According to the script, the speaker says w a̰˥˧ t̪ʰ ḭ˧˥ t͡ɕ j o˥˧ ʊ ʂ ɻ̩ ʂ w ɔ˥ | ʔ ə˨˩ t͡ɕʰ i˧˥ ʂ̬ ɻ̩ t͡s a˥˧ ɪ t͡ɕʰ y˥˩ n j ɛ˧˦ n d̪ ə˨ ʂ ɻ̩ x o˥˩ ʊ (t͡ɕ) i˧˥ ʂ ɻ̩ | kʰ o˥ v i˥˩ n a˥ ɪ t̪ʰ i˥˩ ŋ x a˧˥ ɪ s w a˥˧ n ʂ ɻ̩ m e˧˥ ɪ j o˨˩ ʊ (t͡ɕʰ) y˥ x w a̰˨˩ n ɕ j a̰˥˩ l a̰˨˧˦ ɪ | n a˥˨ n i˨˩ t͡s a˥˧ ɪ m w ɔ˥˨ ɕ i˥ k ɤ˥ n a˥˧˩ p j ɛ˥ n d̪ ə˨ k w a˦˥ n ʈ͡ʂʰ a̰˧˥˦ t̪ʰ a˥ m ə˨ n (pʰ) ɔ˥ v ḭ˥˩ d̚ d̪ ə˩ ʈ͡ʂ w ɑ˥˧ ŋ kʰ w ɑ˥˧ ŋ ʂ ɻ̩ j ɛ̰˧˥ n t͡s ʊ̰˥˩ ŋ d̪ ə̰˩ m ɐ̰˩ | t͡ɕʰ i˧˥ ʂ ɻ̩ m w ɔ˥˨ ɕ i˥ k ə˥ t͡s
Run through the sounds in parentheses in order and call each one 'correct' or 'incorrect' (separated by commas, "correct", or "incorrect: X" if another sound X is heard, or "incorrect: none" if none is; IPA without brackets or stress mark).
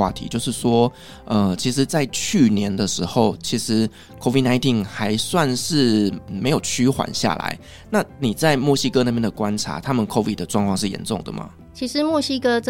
incorrect: t͡ɕʰ, correct, incorrect: kʰ